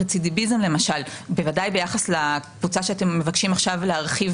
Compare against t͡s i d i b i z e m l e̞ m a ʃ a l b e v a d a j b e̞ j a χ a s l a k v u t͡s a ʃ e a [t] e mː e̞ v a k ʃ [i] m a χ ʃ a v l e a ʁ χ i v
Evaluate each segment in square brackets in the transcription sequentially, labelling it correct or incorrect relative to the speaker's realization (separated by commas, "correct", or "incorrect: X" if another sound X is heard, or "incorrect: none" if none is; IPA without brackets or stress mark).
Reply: correct, correct